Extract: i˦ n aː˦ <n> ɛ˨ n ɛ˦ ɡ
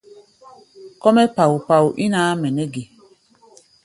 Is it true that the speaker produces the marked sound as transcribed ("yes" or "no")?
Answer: no